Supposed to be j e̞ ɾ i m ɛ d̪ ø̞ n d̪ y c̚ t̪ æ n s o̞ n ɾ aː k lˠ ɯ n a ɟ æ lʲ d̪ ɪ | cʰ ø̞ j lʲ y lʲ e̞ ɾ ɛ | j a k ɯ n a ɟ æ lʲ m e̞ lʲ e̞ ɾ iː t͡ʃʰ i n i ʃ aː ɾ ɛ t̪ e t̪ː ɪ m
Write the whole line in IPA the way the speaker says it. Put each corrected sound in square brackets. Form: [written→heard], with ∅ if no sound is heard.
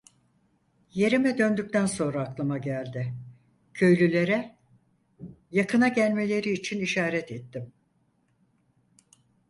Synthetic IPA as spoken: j e̞ ɾ i m ɛ d̪ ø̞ n d̪ y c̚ t̪ æ n s o̞ n ɾ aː k lˠ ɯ [n→m] a ɟ æ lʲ d̪ ɪ | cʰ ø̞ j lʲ y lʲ e̞ ɾ ɛ | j a k ɯ n a ɟ æ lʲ m e̞ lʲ e̞ ɾ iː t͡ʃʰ i n i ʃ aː ɾ ɛ t̪ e t̪ː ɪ m